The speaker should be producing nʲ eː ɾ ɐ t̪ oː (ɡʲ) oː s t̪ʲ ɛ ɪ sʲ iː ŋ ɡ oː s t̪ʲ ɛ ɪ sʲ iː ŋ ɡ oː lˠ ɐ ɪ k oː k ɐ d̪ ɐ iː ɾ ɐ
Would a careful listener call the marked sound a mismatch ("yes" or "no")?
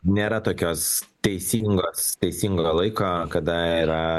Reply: yes